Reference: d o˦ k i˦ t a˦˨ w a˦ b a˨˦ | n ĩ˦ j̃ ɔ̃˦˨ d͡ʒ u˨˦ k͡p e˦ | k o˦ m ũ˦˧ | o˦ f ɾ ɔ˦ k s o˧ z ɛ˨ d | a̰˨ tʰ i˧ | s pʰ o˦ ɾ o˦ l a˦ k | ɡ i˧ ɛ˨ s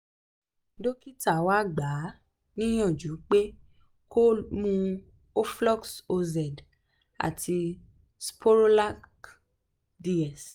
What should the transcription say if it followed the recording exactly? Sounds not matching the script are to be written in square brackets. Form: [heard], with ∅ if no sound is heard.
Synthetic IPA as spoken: d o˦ k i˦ t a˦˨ w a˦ [ɡ͡b] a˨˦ | n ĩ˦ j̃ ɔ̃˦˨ d͡ʒ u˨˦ k͡p e˦ | k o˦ m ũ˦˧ | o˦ f [l] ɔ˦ k s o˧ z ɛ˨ d | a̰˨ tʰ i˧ | s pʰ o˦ ɾ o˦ l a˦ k | [d] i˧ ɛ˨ s